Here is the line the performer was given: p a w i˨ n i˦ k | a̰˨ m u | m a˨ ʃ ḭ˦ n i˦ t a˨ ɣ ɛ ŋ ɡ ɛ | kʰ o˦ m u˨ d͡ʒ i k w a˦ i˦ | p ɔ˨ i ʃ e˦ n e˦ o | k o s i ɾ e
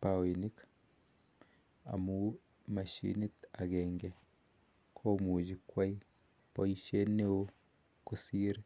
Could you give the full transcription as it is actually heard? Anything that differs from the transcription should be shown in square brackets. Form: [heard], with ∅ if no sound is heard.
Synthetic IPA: p a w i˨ n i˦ k | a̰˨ m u | m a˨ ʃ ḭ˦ n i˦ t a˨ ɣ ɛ ŋ ɡ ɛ | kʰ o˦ m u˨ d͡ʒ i k w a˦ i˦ | p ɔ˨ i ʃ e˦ n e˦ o | k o s i ɾ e